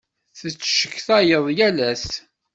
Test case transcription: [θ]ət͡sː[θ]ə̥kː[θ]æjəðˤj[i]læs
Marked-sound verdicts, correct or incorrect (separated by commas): correct, incorrect, correct, incorrect